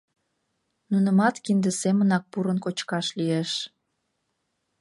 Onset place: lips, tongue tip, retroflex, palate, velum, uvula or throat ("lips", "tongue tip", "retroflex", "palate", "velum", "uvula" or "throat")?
tongue tip